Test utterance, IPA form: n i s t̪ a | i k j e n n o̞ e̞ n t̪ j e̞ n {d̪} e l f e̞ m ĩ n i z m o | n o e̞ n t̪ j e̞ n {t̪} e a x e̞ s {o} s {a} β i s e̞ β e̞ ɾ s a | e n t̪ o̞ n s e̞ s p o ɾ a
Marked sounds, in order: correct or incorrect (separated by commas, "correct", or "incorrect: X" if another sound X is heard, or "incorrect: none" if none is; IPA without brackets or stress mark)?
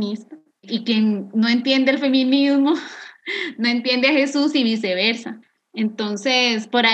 correct, incorrect: d̪, incorrect: u, incorrect: i